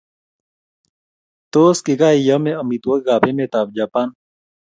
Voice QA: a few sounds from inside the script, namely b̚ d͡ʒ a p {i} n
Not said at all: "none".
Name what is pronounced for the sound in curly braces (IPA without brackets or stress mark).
a